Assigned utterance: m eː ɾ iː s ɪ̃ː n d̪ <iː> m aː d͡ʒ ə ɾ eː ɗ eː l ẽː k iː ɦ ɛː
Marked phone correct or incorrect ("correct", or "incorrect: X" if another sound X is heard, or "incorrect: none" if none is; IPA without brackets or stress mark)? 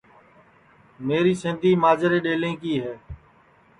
correct